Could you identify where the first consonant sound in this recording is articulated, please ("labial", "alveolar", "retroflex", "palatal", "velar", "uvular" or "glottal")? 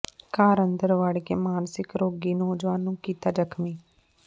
velar